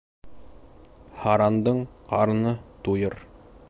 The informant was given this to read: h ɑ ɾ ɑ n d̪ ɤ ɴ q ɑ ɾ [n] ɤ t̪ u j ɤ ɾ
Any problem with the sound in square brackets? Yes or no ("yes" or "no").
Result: no